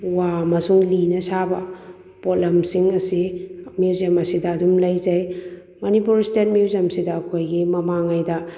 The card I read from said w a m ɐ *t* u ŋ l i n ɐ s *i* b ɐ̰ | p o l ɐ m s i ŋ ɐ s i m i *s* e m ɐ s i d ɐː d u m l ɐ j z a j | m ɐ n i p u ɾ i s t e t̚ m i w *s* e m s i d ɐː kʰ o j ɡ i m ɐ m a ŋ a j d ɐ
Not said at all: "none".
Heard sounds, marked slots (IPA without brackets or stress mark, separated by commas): s, a, z, z